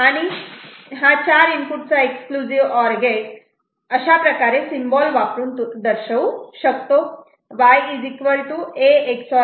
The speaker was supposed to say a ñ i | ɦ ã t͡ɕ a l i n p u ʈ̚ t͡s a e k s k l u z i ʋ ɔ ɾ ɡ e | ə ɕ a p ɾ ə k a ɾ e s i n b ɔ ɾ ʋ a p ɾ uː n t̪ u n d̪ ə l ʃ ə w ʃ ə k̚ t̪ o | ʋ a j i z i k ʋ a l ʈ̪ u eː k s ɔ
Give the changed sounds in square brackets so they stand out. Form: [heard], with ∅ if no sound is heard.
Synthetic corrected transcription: a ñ i | ɦ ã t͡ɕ a [ɾ] i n p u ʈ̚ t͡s a e k s k l u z i ʋ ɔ ɾ ɡ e | ə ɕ a p ɾ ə k a ɾ e s i [m] b ɔ [l] ʋ a p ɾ uː n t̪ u [∅] d̪ ə [ɾ] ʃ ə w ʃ ə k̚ t̪ o | ʋ a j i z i k ʋ [ə] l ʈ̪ u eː k s ɔ